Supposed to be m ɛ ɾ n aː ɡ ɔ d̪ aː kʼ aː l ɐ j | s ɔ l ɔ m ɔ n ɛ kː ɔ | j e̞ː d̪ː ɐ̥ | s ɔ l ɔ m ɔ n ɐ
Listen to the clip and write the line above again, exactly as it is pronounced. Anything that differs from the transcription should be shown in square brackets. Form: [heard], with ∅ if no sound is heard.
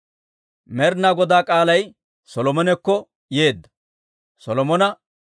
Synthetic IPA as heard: m ɛ ɾ n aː ɡ ɔ d̪ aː kʼ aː l ɐ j | s ɔ l ɔ m ɔ n ɛ kː ɔ | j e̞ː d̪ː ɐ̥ | s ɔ l ɔ m ɔ n ɐ